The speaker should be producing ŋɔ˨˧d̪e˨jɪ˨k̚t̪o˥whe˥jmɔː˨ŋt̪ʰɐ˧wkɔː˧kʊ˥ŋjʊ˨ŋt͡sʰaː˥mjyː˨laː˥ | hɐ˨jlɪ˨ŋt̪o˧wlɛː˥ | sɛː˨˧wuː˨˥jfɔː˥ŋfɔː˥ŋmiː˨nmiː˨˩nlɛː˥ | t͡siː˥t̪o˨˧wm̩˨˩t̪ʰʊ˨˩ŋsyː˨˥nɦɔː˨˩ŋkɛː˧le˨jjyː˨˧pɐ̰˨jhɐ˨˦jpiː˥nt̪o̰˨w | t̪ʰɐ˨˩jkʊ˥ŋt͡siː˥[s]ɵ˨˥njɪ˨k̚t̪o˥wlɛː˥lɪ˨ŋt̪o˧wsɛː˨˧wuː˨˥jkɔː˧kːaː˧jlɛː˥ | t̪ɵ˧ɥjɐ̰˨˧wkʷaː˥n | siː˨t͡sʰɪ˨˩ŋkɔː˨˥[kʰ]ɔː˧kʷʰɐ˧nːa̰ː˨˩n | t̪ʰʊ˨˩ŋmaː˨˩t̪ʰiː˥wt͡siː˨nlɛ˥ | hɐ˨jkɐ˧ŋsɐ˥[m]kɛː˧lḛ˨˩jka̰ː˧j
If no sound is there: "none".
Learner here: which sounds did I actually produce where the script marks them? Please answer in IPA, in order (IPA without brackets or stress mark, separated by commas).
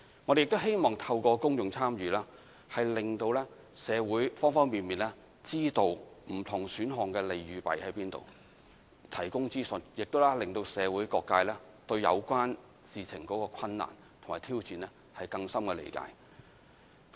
s, k, m